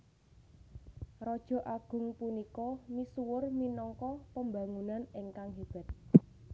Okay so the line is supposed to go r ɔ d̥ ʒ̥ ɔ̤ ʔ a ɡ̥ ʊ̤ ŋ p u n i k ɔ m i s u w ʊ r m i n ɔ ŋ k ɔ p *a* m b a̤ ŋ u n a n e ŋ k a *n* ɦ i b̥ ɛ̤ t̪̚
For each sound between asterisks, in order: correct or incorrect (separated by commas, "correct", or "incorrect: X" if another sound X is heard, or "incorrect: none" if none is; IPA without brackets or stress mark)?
incorrect: ə, incorrect: ŋ